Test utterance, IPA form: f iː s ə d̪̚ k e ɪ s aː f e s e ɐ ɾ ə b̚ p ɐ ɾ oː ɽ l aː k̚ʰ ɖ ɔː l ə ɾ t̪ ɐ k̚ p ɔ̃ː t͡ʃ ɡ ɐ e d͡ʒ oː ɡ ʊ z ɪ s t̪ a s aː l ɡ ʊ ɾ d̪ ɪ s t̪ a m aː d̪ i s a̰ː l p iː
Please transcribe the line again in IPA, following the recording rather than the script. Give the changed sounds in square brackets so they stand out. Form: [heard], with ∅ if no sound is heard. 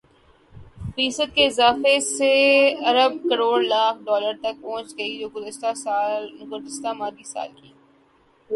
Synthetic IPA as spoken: f iː s ə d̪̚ k e ɪ [z] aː f e s e ɐ ɾ ə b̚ [k] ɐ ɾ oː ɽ l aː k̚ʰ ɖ ɔː l ə ɾ t̪ ɐ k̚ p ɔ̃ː t͡ʃ ɡ ɐ [i] d͡ʒ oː ɡ ʊ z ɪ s t̪ a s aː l ɡ ʊ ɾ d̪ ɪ s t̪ a m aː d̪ i s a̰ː l [k] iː